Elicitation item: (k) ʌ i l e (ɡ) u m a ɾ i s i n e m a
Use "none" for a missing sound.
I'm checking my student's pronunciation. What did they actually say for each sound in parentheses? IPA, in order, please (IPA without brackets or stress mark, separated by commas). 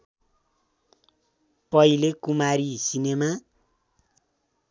p, k